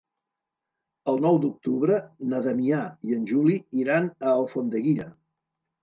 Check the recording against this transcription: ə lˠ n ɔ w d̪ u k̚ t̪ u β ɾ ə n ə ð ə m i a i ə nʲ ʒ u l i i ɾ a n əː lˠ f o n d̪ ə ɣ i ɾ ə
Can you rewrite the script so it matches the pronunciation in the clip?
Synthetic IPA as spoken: ə lˠ n ɔ w d̪ u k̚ t̪ u β ɾ ə n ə ð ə m i a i ə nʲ ʒ u l i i ɾ a n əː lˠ f o n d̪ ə ɣ i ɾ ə